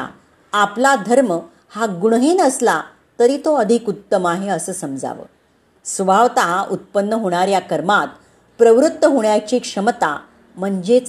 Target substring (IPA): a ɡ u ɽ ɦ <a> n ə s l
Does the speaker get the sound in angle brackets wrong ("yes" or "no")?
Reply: yes